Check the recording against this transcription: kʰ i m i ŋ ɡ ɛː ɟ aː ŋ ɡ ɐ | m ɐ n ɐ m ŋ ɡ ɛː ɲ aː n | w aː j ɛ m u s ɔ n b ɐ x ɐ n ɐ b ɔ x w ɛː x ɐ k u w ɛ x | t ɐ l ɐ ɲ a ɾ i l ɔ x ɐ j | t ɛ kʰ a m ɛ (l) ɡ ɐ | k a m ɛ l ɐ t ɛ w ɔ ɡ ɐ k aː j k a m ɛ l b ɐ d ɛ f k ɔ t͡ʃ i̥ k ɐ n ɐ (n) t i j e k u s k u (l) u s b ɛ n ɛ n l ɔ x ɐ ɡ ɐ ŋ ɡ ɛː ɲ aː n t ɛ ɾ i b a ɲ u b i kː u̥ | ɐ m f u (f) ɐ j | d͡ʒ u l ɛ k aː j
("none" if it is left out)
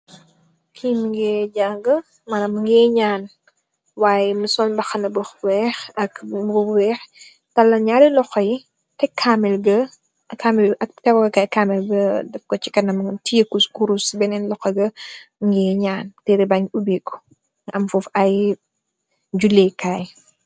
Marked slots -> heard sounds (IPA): l, m, ɾ, f

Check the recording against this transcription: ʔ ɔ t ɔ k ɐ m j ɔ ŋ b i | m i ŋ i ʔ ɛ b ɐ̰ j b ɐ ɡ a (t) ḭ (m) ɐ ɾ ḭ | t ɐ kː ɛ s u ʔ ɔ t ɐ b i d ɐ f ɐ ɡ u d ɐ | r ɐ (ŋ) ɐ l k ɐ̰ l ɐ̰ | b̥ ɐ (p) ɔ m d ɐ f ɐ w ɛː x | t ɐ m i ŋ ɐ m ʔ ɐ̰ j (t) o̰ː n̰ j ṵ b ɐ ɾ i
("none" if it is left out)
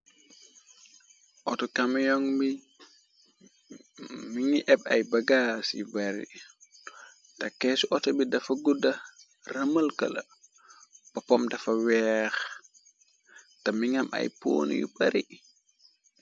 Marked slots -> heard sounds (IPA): s, b, m, p, p

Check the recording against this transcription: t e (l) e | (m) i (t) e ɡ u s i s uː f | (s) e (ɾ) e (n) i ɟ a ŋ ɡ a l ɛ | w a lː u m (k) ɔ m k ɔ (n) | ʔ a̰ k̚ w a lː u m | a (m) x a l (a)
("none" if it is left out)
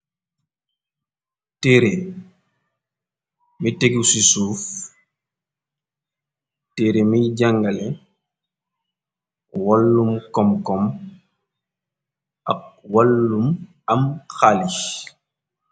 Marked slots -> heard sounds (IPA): ɾ, m, t, t, ɾ, m, k, m, m, i

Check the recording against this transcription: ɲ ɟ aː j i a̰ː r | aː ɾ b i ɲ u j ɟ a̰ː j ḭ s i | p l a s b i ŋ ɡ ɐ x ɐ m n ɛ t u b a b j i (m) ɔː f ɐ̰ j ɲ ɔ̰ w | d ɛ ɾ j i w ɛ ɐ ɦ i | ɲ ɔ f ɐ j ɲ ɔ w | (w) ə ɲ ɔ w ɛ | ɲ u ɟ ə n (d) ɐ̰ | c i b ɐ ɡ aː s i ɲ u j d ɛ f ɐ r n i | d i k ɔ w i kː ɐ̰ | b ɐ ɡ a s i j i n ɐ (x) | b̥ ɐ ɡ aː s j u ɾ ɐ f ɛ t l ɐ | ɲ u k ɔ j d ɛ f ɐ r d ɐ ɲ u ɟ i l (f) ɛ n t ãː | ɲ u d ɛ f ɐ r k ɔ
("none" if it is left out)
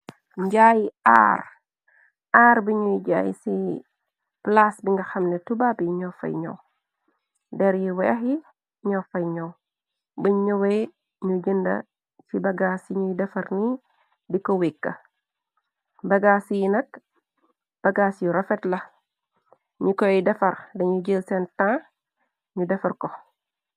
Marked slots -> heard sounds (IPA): ɲ, b, d, k, s

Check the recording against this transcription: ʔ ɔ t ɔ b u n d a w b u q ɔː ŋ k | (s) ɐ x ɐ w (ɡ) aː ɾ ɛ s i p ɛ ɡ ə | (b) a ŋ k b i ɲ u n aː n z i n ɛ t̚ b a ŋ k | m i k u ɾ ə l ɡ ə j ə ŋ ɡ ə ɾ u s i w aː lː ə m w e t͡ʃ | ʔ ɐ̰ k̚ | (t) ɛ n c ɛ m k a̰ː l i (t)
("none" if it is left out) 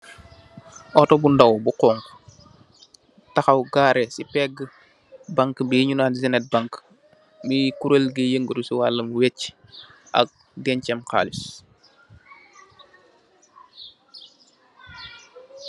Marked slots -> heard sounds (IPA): t, ɡ, b, d, s

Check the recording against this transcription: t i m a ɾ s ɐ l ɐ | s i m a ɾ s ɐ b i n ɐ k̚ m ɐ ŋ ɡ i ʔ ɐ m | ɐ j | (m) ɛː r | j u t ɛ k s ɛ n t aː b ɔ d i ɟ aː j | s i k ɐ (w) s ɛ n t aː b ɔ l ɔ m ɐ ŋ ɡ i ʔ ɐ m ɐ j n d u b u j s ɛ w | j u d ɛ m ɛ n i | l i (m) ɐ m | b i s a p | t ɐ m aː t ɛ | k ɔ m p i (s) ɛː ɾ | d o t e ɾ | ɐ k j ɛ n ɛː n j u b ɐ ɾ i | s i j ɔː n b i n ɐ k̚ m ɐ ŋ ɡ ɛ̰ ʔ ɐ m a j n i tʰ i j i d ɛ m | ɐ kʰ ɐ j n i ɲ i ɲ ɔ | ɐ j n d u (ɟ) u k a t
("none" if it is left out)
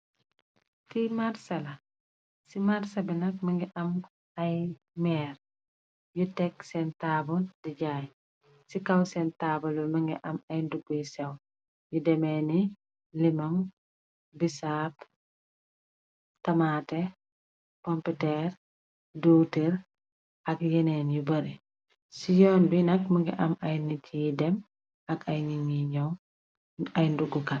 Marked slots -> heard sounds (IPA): m, w, m, t, ɡ

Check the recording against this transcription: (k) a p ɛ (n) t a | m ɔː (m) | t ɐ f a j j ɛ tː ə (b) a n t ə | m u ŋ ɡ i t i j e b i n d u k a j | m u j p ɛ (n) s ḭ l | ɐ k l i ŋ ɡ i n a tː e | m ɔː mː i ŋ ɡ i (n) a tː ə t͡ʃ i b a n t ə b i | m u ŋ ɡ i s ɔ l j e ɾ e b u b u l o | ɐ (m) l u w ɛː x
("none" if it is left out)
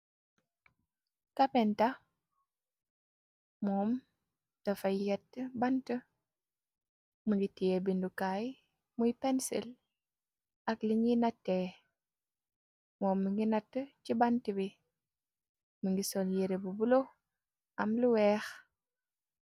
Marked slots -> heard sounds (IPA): k, n, m, b, n, n, m

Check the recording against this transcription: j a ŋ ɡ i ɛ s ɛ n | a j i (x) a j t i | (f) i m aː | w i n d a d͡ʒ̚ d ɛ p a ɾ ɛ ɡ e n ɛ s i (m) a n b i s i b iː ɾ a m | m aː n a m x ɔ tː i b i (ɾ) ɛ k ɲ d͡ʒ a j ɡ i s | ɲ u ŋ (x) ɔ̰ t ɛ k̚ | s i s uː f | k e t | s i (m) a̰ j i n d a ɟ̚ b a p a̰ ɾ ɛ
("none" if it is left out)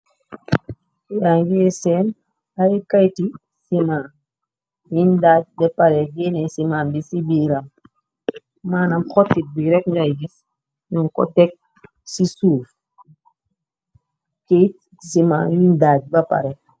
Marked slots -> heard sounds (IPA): k, s, m, ɾ, k, m

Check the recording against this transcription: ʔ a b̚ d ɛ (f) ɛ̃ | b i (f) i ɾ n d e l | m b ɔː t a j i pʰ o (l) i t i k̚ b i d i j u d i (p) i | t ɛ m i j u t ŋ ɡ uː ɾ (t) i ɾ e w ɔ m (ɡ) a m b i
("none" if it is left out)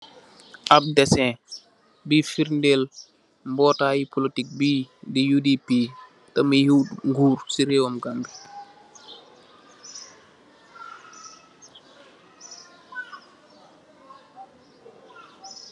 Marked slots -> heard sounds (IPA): s, f, l, p, s, ɡ

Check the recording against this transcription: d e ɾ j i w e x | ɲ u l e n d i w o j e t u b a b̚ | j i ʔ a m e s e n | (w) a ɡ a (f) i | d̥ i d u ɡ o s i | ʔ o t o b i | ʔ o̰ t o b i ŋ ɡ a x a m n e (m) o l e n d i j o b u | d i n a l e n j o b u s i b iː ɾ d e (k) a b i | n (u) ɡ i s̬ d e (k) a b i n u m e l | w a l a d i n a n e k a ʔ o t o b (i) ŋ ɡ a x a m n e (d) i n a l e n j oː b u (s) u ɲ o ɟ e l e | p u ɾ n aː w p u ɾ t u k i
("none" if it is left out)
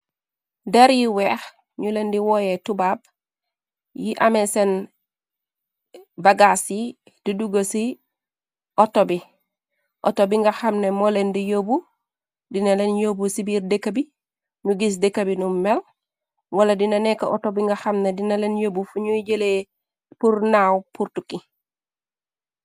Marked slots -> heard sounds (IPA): b, s, m, k, u, k, i, d, f

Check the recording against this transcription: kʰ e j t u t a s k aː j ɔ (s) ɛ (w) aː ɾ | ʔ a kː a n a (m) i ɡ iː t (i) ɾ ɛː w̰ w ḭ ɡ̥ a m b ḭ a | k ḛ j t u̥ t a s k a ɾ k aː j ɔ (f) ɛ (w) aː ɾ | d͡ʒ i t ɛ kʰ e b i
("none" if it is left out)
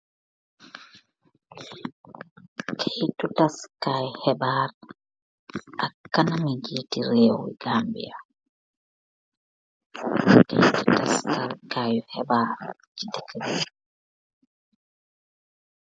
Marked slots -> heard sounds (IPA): h, b, m, i, h, b

